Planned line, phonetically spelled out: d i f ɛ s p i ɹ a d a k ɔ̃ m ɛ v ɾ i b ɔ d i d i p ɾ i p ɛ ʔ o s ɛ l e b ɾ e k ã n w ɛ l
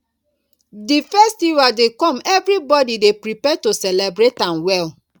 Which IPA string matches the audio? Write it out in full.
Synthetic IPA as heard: d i f ɛ s t i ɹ a d e k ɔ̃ m ɛ v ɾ i b ɔ d i d e p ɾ i p ɛ t o s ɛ l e b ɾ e t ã n w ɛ l